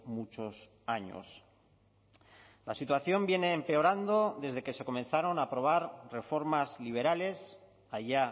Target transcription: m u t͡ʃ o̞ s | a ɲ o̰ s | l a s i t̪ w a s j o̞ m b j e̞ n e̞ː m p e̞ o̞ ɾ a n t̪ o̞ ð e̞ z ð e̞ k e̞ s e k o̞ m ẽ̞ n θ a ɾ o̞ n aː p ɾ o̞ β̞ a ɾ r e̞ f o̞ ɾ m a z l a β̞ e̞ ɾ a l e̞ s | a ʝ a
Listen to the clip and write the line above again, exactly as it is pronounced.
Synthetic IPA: m u t͡ʃ o̞ s | a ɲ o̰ s | l a s i t̪ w a θ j o̞ m b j e̞ n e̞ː m p e̞ o̞ ɾ a n d̪ o̞ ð e̞ z ð e̞ k e̞ s e k o̞ m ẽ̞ n θ a ɾ o̞ n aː p ɾ o̞ β̞ a ɾ r e̞ f o̞ ɾ m a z l i β̞ e̞ ɾ a l e̞ s | a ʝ a

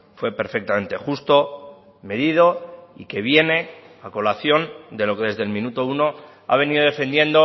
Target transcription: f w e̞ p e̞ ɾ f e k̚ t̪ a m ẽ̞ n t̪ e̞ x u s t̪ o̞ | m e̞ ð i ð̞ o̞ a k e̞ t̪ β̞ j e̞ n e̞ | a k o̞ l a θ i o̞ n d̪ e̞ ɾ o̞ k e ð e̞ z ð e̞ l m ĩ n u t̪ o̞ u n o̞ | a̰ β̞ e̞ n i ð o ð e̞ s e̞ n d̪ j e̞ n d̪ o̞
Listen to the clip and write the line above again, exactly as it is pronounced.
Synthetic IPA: f w e̞ p e̞ ɾ f e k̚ t̪ a m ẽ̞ n t̪ e̞ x u s t̪ o̞ | m e̞ ð i ð̞ o̞ i k e̞ β̞ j e̞ n e̞ | a k o̞ l a θ j o̞ n d̪ e̞ l o̞ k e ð e̞ z ð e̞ l m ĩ n u t̪ o̞ u n o̞ | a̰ β̞ e̞ n i ð o ð e̞ f e̞ n d̪ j e̞ n d̪ o̞

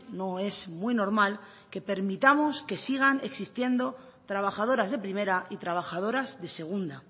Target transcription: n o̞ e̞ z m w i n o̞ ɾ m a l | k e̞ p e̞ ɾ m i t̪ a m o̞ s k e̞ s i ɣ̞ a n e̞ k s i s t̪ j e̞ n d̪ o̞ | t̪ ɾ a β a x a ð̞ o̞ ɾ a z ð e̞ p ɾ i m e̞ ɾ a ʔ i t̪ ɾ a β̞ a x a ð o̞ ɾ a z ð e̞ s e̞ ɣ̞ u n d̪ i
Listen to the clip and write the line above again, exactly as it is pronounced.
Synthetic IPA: n o̞ e̞ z m w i n o̞ ɾ m a l | k e̞ p e̞ ɾ m i t̪ a m o̞ s k e̞ s i ɣ̞ a n e̞ k s i s t̪ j e̞ n d̪ o̞ | t̪ ɾ a β a x a ð̞ o̞ ɾ a z ð e̞ p ɾ i m e̞ ɾ a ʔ i t̪ ɾ a β̞ a x a ð o̞ ɾ a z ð e̞ s e̞ ɣ̞ u n d̪ a

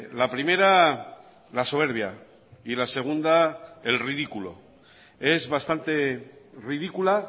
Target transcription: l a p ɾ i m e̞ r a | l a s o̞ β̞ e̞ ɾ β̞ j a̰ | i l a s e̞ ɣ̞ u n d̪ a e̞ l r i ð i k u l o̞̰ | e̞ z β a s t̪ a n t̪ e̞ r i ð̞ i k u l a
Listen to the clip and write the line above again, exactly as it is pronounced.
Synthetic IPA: l a p ɾ i m e̞ ɾ a | l a s o̞ β̞ e̞ ɾ β̞ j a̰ | i l a s e̞ ɣ̞ u n d̪ a e̞ l r i ð i k u l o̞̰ | e̞ z β a s t̪ a n t̪ e̞ r i ð̞ i k u l a

